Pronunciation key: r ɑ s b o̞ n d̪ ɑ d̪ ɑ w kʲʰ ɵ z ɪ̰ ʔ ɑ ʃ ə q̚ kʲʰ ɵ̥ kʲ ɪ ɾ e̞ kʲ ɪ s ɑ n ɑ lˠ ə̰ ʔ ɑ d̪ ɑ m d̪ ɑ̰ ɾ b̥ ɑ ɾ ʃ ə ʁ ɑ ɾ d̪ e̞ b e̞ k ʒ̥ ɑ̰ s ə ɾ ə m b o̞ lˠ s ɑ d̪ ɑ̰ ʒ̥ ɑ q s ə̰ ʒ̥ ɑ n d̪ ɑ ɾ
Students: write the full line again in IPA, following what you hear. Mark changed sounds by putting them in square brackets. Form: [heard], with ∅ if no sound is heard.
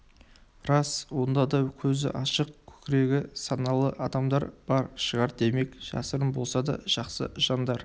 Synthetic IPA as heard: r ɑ s [w] o̞ n d̪ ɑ d̪ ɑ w kʲʰ ɵ z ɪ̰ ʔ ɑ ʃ ə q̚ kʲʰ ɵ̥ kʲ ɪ ɾ e̞ [ɡʲ] ɪ s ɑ n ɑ lˠ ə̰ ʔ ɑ d̪ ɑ m d̪ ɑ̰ ɾ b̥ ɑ ɾ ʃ ə ʁ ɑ ɾ d̪ e̞ [m] e̞ k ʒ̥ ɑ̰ s ə ɾ ə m b o̞ lˠ s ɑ d̪ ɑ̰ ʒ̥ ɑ q s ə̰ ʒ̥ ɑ n d̪ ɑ ɾ